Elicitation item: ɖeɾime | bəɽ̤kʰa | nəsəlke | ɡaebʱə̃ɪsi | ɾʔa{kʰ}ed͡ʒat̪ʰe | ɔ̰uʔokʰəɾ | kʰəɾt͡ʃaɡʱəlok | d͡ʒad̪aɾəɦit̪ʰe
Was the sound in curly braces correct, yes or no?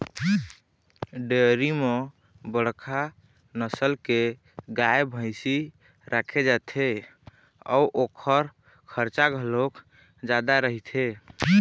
yes